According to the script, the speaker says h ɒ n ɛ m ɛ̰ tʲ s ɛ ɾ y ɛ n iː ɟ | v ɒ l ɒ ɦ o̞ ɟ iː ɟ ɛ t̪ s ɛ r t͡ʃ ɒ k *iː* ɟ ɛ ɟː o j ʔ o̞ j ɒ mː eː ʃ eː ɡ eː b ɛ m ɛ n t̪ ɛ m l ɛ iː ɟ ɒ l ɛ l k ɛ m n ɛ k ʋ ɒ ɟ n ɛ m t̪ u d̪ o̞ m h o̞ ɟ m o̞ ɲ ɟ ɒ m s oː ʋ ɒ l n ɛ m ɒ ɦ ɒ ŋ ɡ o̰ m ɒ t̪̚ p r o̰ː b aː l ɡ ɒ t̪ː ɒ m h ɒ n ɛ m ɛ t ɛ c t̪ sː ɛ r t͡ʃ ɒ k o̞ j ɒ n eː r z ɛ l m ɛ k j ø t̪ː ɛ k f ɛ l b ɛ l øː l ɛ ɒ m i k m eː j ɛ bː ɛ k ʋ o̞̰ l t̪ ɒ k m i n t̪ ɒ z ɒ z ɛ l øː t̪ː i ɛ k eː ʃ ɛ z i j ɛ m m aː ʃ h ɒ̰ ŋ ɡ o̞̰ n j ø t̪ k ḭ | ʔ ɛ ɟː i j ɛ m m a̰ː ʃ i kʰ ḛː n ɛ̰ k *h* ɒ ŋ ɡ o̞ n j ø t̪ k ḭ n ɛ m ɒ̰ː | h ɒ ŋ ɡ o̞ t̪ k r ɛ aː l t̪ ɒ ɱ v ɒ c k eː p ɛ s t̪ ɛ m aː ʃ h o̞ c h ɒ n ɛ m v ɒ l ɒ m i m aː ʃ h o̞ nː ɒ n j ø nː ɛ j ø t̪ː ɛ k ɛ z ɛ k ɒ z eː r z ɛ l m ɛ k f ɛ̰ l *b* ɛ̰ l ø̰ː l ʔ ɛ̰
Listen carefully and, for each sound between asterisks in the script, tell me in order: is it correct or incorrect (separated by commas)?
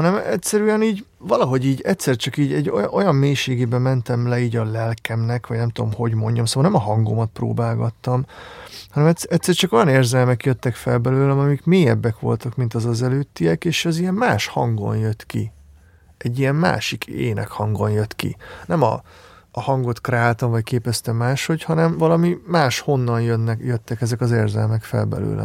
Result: correct, correct, correct